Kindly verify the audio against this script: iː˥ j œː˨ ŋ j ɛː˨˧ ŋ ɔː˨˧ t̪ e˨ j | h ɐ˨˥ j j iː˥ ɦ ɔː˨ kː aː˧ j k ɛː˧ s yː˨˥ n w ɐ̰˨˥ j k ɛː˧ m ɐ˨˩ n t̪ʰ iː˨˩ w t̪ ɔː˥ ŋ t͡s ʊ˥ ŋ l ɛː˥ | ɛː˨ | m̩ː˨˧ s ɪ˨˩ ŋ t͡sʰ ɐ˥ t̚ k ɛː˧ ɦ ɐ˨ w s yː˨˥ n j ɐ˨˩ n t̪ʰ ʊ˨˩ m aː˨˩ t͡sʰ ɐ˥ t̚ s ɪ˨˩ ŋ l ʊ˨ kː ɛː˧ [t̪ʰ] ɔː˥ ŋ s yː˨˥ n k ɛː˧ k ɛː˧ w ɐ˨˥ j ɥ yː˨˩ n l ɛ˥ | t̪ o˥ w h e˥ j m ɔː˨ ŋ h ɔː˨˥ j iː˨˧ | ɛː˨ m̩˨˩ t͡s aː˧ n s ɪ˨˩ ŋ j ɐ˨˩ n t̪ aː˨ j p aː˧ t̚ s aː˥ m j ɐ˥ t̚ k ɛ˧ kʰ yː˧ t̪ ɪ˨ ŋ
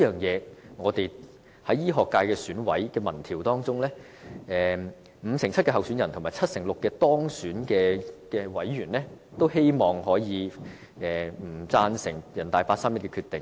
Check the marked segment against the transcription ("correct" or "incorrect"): incorrect